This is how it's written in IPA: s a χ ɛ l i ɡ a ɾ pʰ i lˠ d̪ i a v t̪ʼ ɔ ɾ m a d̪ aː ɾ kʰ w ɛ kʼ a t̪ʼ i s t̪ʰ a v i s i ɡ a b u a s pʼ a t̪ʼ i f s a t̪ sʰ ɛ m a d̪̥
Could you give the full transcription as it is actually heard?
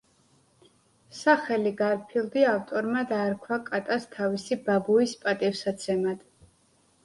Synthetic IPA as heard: s a χ ɛ l i ɡ a ɾ pʰ i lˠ d̪ i a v t̪ʼ ɔ ɾ m a d̪ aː ɾ kʰ w a kʼ a t̪ʼ a s t̪ʰ a v i s i b a b u i s pʼ a t̪ʼ i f s a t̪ sʰ ɛ m a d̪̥